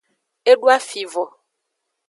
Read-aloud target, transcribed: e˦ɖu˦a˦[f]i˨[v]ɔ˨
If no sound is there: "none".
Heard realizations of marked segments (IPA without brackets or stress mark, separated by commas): f, v